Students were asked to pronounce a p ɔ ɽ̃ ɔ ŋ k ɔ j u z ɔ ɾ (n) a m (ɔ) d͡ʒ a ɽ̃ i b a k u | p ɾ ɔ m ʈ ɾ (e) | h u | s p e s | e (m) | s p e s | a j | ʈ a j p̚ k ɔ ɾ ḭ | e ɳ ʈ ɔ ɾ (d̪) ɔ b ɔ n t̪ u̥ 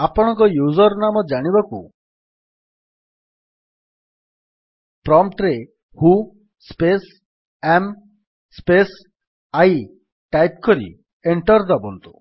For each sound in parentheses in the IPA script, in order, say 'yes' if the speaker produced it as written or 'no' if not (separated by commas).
yes, yes, yes, yes, yes